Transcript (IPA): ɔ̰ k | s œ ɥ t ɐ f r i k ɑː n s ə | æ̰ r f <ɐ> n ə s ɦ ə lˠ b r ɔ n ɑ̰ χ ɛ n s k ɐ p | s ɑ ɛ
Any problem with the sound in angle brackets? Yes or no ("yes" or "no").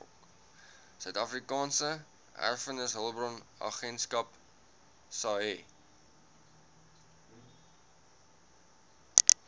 yes